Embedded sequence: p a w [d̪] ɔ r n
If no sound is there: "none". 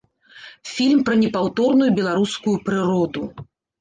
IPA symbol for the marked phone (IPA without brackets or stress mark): t̪